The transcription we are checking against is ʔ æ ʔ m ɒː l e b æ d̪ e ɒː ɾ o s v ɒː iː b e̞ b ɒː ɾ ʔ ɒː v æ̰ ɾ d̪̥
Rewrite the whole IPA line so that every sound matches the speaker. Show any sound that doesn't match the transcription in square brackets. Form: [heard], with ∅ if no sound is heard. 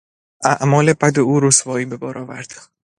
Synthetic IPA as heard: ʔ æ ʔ m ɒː l e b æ d̪ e [uː] ɾ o s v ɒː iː b e̞ b ɒː ɾ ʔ ɒː v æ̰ ɾ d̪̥